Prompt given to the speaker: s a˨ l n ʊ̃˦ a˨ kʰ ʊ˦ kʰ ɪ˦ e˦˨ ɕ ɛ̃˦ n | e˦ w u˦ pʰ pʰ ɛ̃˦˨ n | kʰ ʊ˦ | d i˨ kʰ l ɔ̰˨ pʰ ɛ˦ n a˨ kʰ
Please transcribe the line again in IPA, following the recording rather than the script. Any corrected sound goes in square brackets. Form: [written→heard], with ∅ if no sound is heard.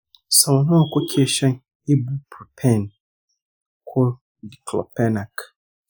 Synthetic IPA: s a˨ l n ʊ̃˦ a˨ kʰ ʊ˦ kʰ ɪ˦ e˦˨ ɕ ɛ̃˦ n | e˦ [w→b] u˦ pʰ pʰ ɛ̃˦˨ n | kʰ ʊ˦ | d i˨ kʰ l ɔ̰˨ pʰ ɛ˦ n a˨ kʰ